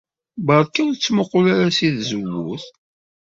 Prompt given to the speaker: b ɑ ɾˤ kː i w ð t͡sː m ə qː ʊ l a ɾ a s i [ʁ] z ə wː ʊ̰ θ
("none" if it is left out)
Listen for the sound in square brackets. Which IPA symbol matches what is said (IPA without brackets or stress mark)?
ð